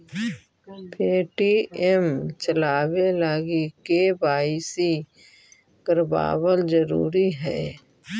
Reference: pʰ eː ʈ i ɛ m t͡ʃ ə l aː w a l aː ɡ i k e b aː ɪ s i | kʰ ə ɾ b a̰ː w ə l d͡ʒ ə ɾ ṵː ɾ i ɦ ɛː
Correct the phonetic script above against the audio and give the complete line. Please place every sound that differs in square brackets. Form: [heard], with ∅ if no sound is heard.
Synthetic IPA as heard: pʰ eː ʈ i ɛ m t͡ʃ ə l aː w [e] l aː ɡ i k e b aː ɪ s i | [k] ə ɾ b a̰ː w ə l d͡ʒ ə ɾ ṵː ɾ i ɦ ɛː